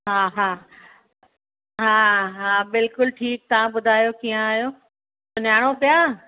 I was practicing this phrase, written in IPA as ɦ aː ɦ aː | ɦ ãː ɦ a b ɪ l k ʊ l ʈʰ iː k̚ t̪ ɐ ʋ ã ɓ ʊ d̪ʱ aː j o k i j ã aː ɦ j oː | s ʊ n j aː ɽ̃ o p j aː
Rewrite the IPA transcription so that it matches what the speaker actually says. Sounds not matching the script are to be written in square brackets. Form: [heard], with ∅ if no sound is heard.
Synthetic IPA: ɦ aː ɦ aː | ɦ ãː ɦ a b ɪ l k ʊ l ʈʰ iː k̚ t̪ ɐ ʋ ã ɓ ʊ d̪ʱ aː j o k i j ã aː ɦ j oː | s ʊ n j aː ɽ̃ o p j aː